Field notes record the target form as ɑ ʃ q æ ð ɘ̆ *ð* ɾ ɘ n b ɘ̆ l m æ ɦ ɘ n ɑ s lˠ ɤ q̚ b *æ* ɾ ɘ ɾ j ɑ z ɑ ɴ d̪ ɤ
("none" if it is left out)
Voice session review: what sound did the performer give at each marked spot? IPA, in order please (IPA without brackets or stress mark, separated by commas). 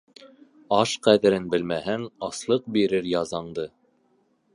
none, i